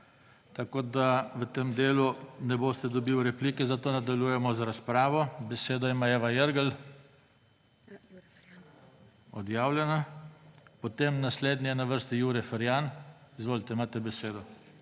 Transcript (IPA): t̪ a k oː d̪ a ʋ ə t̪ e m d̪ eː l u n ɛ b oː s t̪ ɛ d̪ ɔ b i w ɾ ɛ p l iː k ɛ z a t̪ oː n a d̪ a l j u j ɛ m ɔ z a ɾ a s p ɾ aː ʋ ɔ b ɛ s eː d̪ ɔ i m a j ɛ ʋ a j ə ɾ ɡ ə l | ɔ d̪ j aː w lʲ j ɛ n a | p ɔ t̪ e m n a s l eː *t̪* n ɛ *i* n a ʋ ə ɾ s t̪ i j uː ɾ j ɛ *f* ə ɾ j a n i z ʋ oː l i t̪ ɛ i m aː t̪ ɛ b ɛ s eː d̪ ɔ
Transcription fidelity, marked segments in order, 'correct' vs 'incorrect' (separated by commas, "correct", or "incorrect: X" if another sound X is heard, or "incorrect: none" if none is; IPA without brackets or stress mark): incorrect: d̪, incorrect: ɛ, correct